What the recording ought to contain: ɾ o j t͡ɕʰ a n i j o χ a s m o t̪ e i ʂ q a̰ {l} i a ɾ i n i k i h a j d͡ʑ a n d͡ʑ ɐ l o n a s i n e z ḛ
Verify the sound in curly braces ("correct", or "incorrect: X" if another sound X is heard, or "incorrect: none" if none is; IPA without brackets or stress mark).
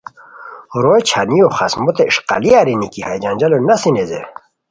correct